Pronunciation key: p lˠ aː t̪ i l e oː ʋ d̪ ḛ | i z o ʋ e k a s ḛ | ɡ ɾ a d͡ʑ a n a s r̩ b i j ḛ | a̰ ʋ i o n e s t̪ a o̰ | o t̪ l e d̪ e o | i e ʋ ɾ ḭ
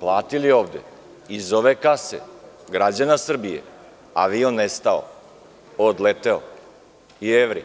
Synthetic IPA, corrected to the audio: p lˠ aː t̪ i l i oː ʋ d̪ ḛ | i z o ʋ e k a s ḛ | ɡ ɾ a d͡ʑ a n a s r̩ b i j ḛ | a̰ ʋ i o n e s t̪ a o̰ | o d̪ l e t̪ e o | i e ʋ ɾ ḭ